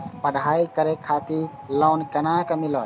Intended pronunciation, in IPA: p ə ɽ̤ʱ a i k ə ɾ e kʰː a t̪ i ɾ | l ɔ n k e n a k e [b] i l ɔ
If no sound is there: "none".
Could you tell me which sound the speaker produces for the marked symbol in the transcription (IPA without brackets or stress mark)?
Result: m